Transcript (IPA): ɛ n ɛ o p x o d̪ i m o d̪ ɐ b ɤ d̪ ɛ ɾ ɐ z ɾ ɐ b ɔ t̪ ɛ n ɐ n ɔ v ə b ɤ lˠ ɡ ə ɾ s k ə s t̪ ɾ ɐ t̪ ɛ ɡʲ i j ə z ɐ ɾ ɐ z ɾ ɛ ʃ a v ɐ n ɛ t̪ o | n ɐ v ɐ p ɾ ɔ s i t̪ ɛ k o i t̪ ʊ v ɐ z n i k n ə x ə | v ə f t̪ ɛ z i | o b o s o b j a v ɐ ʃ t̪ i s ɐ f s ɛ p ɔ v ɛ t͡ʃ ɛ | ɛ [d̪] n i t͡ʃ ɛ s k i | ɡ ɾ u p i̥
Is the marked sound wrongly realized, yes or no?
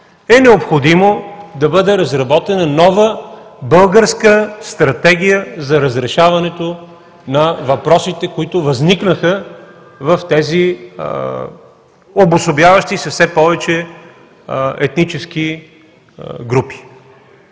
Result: yes